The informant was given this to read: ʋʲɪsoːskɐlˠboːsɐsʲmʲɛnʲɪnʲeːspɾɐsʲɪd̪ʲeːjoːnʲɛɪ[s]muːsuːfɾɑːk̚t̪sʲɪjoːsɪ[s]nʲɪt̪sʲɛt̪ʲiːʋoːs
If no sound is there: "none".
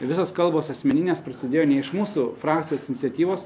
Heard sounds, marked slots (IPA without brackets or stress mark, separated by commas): ʃ, none